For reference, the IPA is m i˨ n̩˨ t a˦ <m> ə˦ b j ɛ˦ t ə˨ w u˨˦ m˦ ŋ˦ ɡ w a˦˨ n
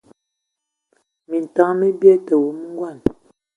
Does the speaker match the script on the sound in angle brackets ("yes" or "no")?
yes